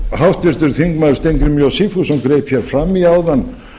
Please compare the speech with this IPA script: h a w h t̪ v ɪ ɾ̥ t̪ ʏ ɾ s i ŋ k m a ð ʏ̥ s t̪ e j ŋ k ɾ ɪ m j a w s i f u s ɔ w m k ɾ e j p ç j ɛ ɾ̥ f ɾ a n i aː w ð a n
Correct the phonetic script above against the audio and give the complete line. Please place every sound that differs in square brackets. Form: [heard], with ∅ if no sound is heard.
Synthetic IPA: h a w h t̪ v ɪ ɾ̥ t̪ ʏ ɾ [θ] i ŋ k m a ð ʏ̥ s t̪ e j ŋ k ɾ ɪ m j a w s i f u s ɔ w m k ɾ e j p ç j ɛ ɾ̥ f ɾ a [m] i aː w ð a n